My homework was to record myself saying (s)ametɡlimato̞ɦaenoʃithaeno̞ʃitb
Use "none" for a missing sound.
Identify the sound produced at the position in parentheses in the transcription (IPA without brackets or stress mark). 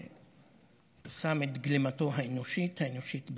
s